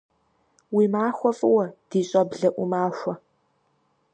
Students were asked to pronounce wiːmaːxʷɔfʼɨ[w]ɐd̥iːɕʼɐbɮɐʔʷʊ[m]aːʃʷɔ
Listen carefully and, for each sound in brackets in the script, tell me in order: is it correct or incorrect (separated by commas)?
correct, correct